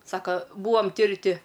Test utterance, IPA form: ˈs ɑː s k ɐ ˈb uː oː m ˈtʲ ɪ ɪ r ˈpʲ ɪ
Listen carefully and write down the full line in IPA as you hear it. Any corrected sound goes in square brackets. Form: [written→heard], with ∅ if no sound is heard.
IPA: ˈs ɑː [s→∅] k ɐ ˈb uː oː m ˈtʲ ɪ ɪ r [ˈpʲ→ˈtʲ] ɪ